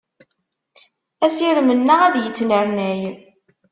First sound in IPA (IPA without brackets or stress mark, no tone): æ